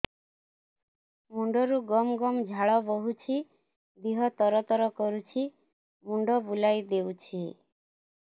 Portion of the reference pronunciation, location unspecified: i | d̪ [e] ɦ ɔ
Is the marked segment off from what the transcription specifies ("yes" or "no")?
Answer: yes